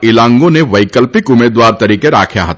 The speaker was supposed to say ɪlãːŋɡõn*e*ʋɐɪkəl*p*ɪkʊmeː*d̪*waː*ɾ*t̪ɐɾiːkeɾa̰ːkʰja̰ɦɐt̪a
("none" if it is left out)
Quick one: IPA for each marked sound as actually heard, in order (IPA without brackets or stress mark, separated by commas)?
e, p, d̪, ɾ